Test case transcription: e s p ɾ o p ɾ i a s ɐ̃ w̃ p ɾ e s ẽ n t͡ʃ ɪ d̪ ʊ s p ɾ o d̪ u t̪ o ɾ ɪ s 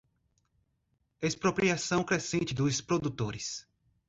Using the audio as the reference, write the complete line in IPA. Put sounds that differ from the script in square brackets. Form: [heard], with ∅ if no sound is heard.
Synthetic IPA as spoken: e s p ɾ o p ɾ i a s ɐ̃ w̃ [k] ɾ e s ẽ n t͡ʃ ɪ d̪ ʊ s p ɾ o d̪ u t̪ o ɾ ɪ s